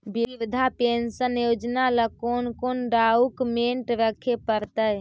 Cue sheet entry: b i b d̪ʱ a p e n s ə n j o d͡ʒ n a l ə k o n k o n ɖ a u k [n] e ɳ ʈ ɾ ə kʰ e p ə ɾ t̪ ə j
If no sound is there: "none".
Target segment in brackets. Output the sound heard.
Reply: m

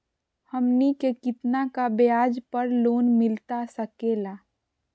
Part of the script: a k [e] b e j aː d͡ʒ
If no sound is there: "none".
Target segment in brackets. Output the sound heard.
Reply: a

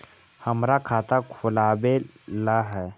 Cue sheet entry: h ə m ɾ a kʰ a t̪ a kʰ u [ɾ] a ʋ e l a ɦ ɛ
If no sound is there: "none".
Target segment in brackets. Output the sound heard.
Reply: l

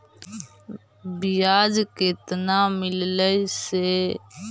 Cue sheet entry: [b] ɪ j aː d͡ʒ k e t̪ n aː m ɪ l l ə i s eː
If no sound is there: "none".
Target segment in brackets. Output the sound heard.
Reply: b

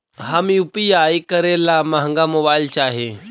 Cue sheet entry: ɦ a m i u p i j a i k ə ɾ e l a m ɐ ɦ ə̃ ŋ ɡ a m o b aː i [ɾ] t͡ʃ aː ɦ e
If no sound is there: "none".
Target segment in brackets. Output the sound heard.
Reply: l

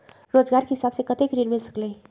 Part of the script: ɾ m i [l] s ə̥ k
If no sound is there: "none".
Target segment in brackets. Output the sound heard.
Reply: l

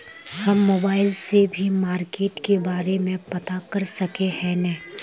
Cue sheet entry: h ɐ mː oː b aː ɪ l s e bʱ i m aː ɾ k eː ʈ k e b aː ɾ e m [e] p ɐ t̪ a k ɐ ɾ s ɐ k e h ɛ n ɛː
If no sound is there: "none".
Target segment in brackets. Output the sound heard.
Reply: ẽ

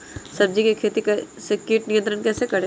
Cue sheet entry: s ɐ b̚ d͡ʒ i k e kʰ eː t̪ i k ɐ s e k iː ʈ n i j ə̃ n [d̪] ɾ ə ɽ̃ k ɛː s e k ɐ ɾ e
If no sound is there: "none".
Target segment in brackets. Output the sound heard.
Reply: t̪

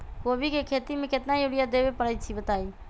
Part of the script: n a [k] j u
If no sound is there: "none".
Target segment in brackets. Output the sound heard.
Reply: none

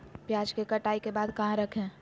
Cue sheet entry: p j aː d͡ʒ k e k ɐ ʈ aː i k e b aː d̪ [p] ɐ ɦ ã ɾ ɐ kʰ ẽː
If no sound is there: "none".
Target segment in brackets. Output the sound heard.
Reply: k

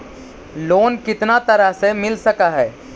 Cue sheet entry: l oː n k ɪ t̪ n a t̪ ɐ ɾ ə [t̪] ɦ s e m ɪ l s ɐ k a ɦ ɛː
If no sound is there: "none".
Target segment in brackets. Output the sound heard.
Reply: none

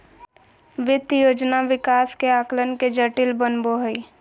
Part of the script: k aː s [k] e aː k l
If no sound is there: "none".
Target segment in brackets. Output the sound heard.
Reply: k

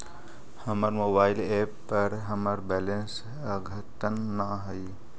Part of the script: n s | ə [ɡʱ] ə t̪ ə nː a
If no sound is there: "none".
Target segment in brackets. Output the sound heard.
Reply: ɡʱ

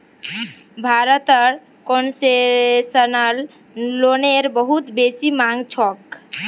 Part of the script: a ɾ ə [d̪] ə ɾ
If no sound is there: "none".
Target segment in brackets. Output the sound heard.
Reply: t̪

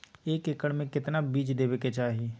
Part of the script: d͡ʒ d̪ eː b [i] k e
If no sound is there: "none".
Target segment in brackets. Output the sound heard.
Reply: e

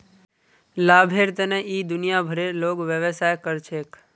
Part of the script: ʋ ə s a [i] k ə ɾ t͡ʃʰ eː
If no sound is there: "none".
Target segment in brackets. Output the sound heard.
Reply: j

